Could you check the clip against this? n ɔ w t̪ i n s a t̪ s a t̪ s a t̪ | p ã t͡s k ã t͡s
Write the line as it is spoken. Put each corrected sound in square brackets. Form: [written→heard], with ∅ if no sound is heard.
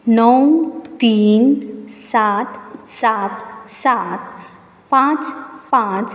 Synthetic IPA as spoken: n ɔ w t̪ i n s a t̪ s a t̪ s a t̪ | p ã t͡s [k→p] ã t͡s